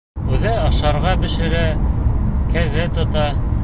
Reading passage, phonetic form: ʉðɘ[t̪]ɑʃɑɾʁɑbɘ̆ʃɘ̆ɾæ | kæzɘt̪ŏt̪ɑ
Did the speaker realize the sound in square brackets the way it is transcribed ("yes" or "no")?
no